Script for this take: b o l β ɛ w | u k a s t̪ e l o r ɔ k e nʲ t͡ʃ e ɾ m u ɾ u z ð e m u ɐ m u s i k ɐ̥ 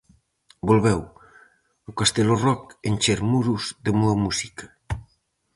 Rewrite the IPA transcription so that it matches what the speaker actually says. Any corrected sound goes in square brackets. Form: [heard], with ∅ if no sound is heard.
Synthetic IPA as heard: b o l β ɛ w | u k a s t̪ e l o r ɔ k e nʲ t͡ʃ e ɾ m u ɾ u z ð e m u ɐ m u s i k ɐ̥